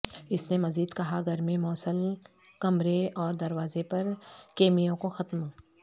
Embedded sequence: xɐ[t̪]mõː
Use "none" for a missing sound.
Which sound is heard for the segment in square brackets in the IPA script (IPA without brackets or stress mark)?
t̪